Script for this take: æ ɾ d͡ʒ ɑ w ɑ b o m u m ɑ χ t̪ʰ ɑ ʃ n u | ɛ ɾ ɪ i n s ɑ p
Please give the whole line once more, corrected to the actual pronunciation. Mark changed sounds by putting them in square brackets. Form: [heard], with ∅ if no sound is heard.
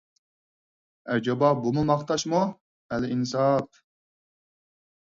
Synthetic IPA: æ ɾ d͡ʒ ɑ [b] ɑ b [u] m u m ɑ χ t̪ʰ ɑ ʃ [m] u | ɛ [l] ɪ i n s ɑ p